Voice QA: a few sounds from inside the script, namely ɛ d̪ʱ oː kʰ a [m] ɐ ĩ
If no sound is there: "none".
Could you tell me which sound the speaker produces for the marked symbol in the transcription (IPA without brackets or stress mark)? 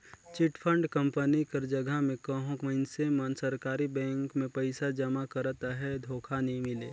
n